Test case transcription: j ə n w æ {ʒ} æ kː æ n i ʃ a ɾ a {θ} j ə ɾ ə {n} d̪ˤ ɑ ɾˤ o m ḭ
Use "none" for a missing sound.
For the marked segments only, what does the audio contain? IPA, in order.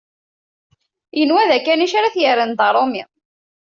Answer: ð, θ, n

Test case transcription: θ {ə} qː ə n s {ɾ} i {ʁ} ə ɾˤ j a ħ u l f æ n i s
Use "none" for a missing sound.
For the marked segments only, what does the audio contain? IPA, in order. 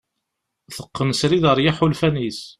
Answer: ə, ɾ, ð

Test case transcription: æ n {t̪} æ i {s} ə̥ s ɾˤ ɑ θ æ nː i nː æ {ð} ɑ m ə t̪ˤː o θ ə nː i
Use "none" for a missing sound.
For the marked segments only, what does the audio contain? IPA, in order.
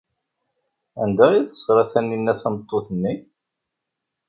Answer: d̪, θ, θ

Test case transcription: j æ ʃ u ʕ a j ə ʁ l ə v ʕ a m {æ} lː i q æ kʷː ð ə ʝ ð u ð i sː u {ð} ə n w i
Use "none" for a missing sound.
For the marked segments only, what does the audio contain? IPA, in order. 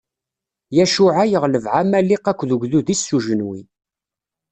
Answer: æ, ʒ

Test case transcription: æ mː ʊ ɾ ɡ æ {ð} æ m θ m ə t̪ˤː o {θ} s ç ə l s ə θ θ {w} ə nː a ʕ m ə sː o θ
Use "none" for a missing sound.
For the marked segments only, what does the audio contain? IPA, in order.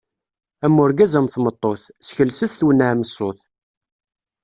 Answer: z, θ, w

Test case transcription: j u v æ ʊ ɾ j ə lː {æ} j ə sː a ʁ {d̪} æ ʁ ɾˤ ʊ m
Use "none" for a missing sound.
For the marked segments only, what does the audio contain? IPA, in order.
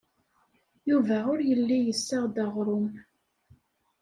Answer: i, d̪

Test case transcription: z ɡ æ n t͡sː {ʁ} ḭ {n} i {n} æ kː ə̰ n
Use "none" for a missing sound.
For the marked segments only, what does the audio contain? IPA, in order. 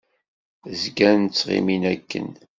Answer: ʁ, m, n

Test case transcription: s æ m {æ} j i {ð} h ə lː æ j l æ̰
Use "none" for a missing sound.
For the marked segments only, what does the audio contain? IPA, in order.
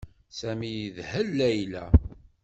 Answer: i, ð

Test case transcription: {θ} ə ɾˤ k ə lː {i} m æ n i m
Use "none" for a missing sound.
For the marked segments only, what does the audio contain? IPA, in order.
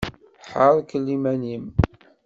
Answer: ħ, i

